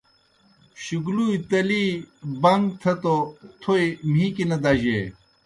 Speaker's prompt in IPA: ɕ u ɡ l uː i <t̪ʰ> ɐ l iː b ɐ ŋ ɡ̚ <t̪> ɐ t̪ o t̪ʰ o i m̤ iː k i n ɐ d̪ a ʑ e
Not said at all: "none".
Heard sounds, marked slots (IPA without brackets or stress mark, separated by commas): t̪, t̪ʰ